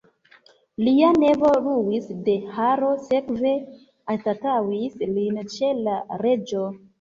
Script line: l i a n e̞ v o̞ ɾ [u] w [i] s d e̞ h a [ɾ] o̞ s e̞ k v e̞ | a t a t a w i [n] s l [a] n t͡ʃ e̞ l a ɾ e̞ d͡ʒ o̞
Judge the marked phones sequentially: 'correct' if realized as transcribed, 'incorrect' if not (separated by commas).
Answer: correct, correct, correct, incorrect, incorrect